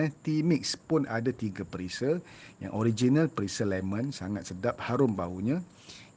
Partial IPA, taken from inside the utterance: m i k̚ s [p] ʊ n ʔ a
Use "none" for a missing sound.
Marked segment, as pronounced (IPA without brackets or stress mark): p